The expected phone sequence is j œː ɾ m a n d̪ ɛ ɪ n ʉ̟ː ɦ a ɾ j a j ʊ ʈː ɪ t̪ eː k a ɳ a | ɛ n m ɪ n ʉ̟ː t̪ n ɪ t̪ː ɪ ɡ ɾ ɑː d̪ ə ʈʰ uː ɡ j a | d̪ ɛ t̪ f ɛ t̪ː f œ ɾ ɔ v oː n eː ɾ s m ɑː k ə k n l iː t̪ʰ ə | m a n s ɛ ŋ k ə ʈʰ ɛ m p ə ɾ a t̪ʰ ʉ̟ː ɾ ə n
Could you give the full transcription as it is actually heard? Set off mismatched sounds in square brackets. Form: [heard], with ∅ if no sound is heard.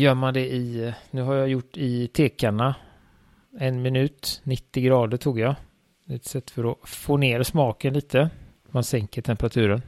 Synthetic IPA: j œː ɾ m a n d̪ ɛ ɪ n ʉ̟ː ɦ a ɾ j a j ʊ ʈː ɪ [t̪ʰ] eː k a ɳ a | ɛ n m ɪ n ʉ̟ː t̪ n ɪ t̪ː ɪ ɡ ɾ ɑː d̪ ə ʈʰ uː ɡ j a | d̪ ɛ t̪ [s] ɛ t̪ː f œ ɾ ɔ [f] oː n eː ɾ s m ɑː k ə [∅] n l iː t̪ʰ ə | m a n s ɛ ŋ k ə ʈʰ ɛ m p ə ɾ a t̪ʰ ʉ̟ː ɾ ə n